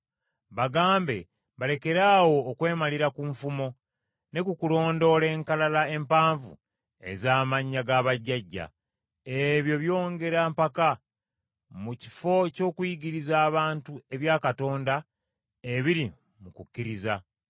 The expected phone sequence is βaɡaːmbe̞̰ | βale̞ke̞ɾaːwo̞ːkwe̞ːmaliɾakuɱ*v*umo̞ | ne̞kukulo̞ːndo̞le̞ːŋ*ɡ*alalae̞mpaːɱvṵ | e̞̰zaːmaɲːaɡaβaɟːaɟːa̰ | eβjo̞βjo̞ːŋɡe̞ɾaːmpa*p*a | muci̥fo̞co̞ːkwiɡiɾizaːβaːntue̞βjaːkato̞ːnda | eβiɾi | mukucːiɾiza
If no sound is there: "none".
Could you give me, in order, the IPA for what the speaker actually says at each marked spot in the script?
f, k, k

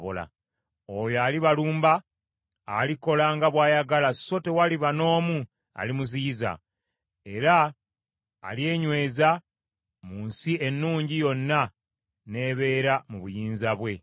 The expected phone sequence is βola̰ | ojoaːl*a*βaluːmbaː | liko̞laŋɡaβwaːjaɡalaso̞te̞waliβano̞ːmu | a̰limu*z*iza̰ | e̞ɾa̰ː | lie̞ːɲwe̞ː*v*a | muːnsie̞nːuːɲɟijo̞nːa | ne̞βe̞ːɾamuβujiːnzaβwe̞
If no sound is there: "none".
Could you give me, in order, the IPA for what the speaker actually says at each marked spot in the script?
i, z, z

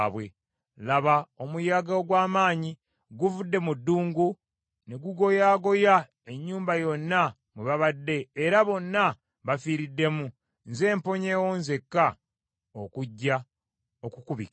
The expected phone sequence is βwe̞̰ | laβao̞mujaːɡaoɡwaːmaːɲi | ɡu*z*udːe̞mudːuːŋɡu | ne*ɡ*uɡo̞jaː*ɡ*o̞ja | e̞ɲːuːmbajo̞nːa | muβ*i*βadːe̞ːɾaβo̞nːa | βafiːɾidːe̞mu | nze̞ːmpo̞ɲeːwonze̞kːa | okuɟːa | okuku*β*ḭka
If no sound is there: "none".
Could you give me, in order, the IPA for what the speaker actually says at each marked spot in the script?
v, ɡ, ɡ, a, β

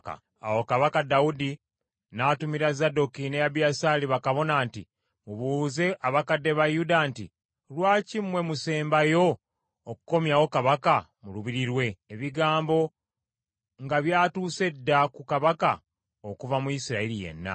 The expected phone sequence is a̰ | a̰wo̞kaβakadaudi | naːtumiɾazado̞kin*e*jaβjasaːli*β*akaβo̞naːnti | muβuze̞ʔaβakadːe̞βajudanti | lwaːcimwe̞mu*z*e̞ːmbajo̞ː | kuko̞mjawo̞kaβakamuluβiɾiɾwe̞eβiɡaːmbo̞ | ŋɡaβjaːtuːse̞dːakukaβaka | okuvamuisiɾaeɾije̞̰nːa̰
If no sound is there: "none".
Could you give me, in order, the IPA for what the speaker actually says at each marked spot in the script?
e, β, s

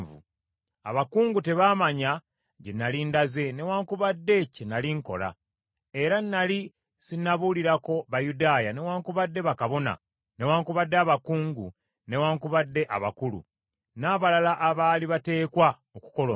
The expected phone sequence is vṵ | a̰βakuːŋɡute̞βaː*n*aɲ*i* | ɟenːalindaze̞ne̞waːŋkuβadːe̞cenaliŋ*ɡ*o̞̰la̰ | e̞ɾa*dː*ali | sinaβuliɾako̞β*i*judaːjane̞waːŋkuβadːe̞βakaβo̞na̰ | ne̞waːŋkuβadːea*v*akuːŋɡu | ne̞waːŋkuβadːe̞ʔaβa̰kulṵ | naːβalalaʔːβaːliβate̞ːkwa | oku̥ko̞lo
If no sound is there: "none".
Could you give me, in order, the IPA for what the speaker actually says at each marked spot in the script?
m, a, k, nː, a, β

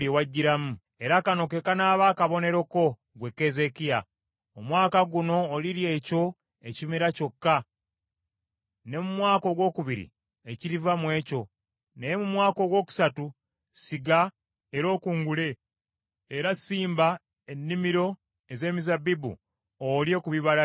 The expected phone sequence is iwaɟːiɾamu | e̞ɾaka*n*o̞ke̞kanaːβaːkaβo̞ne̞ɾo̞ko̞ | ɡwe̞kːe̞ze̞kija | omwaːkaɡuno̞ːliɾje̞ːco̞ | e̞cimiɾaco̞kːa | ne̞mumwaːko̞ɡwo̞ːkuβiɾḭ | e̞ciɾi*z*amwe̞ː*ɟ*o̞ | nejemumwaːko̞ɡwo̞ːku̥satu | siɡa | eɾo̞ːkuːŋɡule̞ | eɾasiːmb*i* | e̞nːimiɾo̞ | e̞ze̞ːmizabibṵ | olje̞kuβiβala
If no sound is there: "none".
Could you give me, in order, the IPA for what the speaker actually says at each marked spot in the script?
n, v, c, a

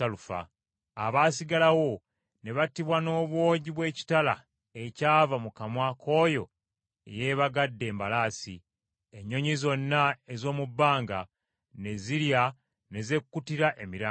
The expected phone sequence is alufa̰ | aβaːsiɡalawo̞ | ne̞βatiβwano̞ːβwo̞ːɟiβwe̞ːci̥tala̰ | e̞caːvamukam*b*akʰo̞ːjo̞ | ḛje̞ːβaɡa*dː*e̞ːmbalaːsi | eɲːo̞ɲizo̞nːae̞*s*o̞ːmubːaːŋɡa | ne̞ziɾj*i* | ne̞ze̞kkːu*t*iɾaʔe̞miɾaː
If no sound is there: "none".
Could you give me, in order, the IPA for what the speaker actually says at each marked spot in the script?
w, dː, z, a, t

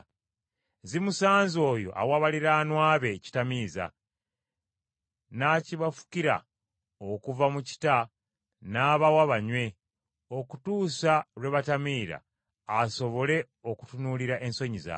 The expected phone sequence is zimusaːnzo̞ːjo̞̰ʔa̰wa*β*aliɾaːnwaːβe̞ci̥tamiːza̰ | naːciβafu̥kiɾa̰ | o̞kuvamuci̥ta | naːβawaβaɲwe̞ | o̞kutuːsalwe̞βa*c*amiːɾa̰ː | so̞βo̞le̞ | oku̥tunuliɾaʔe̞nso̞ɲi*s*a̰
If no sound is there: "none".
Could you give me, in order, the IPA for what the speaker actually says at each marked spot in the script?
β, t, z

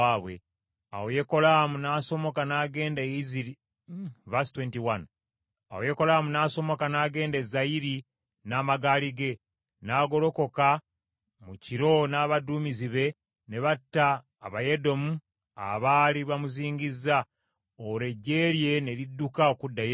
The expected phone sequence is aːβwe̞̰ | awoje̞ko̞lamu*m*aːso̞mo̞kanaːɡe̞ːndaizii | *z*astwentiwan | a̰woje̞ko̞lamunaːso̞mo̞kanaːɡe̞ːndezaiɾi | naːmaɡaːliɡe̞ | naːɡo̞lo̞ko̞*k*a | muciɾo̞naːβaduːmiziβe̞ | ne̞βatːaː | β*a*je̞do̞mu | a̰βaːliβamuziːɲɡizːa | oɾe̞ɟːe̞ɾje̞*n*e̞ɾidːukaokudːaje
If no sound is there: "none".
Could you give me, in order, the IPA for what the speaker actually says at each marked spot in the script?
n, v, k, a, n

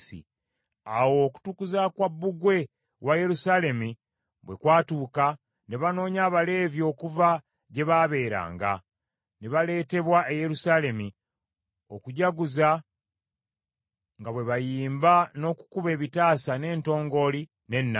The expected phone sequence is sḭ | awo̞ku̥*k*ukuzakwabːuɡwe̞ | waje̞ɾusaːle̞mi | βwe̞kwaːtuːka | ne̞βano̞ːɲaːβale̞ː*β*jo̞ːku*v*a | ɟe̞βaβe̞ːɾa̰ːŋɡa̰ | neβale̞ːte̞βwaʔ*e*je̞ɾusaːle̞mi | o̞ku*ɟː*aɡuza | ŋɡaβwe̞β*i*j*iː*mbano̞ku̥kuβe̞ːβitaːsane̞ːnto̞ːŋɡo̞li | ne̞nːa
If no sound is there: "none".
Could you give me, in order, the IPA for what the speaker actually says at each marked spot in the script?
t, v, v, e, ɟ, a, iː

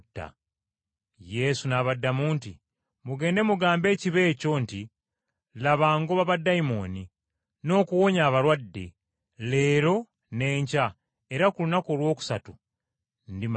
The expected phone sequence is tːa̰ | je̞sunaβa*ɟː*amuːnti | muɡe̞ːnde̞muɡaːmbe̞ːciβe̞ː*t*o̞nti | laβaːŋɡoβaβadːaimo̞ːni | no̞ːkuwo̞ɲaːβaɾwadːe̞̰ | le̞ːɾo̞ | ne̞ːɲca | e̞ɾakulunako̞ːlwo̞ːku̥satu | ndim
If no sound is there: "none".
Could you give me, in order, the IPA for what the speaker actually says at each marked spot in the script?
dː, c

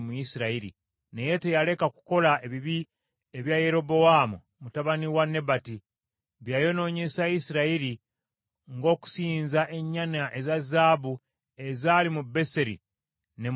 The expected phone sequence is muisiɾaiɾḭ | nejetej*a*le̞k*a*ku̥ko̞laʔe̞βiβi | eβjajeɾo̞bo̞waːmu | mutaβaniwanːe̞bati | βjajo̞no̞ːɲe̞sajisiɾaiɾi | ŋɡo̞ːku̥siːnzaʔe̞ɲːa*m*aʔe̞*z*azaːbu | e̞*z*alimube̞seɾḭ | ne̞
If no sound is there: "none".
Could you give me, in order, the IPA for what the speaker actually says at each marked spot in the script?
a, a, n, z, z

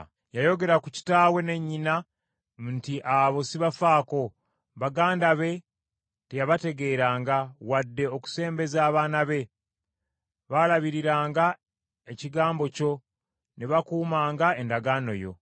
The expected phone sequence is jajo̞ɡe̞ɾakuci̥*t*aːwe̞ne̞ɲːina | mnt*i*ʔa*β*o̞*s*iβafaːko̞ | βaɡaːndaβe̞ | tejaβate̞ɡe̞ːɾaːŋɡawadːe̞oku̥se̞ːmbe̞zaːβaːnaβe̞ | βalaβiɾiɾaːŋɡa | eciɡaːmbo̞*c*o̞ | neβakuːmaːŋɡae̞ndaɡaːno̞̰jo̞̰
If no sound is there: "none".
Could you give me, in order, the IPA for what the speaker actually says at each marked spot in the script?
t, i, β, s, c

